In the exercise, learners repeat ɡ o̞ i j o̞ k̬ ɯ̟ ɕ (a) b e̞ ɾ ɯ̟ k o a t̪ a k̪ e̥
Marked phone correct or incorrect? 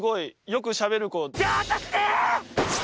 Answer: correct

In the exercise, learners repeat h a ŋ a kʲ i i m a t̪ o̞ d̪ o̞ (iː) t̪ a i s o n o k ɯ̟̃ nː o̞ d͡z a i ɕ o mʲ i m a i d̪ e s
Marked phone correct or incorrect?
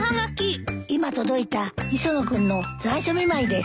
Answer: incorrect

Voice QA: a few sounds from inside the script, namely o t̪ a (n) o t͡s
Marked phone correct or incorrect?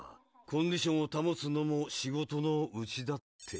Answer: incorrect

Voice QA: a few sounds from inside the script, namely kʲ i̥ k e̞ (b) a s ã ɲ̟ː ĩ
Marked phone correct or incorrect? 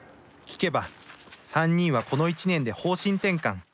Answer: correct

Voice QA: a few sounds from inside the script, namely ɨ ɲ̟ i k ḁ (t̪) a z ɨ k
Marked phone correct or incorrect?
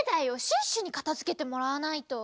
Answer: correct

